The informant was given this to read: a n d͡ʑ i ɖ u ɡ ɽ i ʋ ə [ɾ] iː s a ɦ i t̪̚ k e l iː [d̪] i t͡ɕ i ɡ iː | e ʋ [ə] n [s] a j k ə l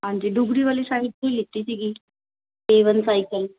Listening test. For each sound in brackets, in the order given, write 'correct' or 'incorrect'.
incorrect, incorrect, correct, correct

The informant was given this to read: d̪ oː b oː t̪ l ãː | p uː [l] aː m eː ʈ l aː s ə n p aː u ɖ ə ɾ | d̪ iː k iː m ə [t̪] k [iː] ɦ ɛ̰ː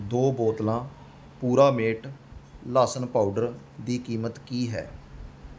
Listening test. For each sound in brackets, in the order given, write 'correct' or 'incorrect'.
incorrect, correct, correct

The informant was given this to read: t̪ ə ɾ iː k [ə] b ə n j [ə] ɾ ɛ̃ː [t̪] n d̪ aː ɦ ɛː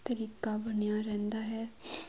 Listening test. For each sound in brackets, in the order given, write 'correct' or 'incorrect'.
incorrect, incorrect, incorrect

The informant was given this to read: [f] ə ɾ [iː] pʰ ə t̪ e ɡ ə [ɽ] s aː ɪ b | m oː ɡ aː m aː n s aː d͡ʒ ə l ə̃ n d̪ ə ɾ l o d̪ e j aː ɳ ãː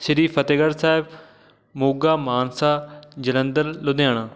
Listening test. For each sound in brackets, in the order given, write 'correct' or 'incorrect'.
incorrect, correct, incorrect

